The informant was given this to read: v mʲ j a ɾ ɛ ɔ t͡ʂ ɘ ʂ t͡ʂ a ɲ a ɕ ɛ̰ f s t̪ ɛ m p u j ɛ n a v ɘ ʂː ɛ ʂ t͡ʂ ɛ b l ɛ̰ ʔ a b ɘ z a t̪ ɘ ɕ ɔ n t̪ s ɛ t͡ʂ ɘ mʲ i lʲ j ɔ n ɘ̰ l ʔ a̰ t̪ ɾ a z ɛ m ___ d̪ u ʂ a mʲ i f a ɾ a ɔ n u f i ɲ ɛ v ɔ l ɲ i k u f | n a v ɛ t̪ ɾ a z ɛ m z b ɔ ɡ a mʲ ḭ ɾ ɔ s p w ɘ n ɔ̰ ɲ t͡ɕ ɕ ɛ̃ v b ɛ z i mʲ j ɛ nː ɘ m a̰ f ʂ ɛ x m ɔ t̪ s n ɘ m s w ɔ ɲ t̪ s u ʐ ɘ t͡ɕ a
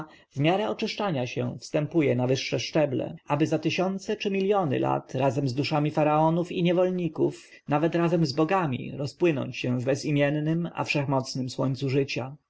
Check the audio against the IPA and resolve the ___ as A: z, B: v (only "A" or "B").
A